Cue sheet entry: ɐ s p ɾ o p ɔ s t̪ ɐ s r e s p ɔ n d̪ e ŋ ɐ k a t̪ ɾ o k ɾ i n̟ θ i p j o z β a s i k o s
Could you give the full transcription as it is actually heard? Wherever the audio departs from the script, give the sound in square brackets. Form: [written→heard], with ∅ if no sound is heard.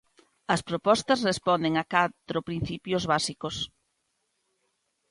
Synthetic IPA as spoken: ɐ s p ɾ o p ɔ s t̪ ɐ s r e s p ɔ n d̪ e ŋ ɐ k a t̪ ɾ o [k→p] ɾ i n̟ θ i p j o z β a s i k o s